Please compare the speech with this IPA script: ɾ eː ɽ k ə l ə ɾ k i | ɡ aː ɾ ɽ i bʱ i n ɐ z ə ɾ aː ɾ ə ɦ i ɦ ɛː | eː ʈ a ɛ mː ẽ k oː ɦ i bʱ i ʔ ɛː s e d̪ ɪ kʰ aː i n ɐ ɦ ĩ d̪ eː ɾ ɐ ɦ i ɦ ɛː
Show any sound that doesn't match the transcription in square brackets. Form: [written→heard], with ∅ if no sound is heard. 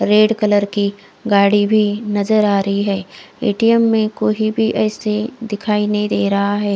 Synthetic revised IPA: ɾ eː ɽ k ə l ə ɾ k i | ɡ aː [ɾ→∅] ɽ i bʱ i n ɐ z ə ɾ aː ɾ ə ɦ i ɦ ɛː | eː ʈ [a→i] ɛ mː ẽ k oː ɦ i bʱ i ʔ ɛː s e d̪ ɪ kʰ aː i n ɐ ɦ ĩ d̪ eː ɾ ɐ ɦ [i→a] ɦ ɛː

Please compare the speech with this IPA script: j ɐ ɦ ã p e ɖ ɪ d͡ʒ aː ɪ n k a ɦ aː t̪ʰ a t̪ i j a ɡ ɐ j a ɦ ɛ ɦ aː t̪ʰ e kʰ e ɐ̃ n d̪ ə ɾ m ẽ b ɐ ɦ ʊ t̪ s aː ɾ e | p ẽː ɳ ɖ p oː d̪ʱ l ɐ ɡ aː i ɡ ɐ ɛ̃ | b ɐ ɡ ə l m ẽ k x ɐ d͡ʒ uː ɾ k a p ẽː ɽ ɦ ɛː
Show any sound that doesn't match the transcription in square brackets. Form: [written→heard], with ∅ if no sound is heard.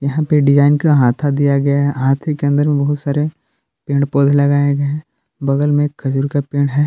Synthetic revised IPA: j ɐ ɦ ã p e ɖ ɪ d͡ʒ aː ɪ n k a ɦ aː t̪ʰ a [t̪→d̪] i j a ɡ ɐ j a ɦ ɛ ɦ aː t̪ʰ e [kʰ→k] e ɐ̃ n d̪ ə ɾ m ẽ b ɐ ɦ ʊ t̪ s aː ɾ e | p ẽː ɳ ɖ p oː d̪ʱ l ɐ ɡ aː [i→e] ɡ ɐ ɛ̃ | b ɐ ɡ ə l m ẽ k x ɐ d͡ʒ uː ɾ k a p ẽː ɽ ɦ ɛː

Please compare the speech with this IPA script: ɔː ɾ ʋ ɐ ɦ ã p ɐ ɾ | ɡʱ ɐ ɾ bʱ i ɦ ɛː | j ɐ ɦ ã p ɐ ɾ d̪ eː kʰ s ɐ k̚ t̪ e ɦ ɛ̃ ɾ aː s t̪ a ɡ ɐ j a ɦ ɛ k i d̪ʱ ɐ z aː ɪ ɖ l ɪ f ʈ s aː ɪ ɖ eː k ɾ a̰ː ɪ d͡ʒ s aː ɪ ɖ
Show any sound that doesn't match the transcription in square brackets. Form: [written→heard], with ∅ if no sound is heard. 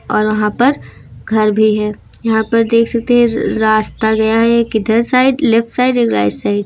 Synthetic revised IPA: ɔː ɾ ʋ ɐ ɦ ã p ɐ ɾ | ɡʱ ɐ ɾ bʱ i ɦ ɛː | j ɐ ɦ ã p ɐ ɾ d̪ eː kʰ s ɐ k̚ t̪ e ɦ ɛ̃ ɾ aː s t̪ a ɡ ɐ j a ɦ ɛ k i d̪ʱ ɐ [z→s] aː ɪ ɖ l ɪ f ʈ s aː ɪ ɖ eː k ɾ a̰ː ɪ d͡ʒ s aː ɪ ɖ

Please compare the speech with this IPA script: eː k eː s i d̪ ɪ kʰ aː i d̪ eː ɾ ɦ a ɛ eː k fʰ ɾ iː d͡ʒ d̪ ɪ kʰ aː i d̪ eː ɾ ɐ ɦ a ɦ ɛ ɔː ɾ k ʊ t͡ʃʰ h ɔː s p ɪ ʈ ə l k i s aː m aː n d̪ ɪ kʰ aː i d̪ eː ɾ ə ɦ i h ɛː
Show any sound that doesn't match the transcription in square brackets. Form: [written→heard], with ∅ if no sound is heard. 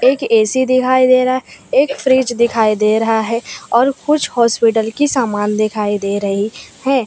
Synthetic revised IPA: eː k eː s i d̪ ɪ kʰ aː i d̪ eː ɾ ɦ a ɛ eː k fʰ ɾ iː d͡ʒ d̪ ɪ kʰ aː i d̪ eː ɾ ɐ ɦ a ɦ ɛ ɔː ɾ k ʊ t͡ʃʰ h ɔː s p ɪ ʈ ə l k i s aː m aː n d̪ ɪ kʰ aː i d̪ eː ɾ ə ɦ i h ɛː

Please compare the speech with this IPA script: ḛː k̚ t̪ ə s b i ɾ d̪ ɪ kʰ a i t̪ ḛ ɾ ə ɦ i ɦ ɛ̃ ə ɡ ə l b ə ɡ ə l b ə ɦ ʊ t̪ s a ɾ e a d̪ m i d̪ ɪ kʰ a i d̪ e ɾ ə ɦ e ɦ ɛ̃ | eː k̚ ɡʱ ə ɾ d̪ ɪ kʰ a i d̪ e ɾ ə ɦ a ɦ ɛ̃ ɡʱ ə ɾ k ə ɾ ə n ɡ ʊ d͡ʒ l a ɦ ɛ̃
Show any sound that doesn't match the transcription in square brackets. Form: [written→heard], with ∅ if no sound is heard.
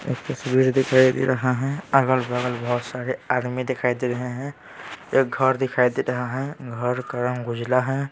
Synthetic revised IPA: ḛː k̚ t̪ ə s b i ɾ d̪ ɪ kʰ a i [t̪→d̪] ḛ ɾ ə ɦ [i→a] ɦ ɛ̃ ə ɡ ə l b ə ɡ ə l b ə ɦ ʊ t̪ s a ɾ e a d̪ m i d̪ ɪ kʰ a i d̪ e ɾ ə ɦ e ɦ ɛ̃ | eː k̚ ɡʱ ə ɾ d̪ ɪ kʰ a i d̪ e ɾ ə ɦ a ɦ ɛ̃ ɡʱ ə ɾ k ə ɾ ə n ɡ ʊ d͡ʒ l a ɦ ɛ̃

